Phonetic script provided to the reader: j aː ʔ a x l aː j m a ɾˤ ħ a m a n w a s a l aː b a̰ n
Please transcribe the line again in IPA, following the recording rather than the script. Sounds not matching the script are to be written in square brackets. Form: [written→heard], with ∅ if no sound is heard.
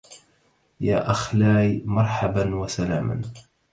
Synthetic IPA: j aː ʔ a x l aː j m [a→ɑ] ɾˤ ħ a [m→b] a n w a s a l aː [b→m] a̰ n